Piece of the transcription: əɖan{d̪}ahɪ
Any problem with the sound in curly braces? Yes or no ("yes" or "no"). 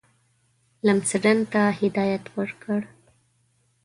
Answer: yes